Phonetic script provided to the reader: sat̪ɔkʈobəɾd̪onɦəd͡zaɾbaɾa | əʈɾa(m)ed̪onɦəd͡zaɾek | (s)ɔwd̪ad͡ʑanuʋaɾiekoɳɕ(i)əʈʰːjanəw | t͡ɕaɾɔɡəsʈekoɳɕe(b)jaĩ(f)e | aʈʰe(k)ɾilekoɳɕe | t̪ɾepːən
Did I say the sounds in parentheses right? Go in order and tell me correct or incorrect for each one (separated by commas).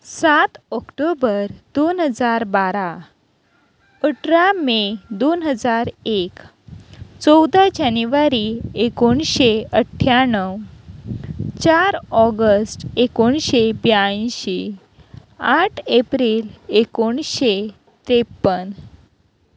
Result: correct, incorrect, incorrect, correct, incorrect, incorrect